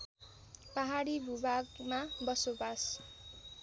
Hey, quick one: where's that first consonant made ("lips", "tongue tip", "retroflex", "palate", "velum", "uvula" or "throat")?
lips